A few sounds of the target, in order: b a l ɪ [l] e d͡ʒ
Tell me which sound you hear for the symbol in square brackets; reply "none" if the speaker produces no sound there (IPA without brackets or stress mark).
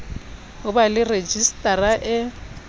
r